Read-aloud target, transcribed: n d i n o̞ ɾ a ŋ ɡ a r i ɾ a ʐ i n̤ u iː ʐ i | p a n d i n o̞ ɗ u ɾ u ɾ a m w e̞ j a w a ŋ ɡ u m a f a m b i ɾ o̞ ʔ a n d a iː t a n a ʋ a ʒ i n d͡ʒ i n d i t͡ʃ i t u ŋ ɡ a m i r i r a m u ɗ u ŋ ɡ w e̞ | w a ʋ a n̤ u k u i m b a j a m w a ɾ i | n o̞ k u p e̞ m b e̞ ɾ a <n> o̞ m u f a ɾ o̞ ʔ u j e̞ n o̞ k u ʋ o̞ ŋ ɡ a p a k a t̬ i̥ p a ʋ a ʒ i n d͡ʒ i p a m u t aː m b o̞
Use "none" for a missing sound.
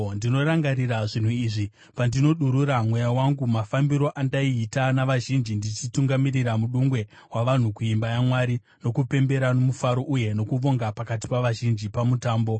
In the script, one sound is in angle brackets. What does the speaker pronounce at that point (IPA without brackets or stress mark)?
n